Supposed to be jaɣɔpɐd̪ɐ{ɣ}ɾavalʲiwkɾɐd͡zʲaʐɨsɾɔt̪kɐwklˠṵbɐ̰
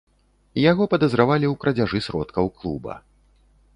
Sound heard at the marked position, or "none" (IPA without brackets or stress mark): z